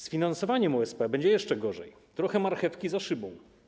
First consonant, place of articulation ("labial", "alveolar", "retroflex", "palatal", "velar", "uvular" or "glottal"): alveolar